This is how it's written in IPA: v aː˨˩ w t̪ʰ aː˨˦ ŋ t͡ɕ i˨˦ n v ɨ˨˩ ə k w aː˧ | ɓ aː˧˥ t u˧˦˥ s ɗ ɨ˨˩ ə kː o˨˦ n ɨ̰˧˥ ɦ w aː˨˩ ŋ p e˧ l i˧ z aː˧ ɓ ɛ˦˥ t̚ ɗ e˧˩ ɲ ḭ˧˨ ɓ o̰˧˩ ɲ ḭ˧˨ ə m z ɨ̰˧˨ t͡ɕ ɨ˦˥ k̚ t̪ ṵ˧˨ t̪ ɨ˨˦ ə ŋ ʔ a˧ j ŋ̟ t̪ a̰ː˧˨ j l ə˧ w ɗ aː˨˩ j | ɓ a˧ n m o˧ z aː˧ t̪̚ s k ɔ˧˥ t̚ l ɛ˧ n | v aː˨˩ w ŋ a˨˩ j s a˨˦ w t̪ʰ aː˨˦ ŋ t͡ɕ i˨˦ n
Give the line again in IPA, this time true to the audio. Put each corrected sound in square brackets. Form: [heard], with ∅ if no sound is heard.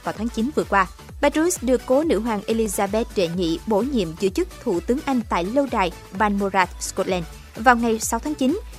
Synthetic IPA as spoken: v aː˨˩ w t̪ʰ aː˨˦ ŋ t͡ɕ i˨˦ n v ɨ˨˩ ə k w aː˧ | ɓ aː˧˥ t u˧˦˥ s ɗ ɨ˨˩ ə kː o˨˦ n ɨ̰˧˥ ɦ w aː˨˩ ŋ [ʔ] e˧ l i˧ z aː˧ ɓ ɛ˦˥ t̚ ɗ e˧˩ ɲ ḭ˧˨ ɓ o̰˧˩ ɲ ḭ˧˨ ə m z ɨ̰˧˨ t͡ɕ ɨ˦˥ k̚ [t̪ʰ] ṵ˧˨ t̪ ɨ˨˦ ə ŋ ʔ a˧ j ŋ̟ t̪ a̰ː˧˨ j l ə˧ w ɗ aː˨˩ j | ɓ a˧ n m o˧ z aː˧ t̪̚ s k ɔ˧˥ t̚ l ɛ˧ n | v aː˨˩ w ŋ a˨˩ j s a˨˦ w t̪ʰ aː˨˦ ŋ t͡ɕ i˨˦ n